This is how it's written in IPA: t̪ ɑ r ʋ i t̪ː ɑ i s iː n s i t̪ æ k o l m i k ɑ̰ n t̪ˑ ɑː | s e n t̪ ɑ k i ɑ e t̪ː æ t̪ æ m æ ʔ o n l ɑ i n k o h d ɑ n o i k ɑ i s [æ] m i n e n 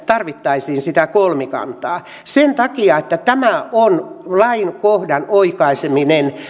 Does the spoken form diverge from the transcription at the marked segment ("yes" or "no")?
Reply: yes